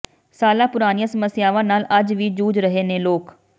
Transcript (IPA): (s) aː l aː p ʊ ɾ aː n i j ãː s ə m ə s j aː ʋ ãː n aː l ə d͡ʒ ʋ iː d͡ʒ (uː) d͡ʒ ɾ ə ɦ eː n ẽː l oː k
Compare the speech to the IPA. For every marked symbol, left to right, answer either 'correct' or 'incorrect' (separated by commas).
correct, correct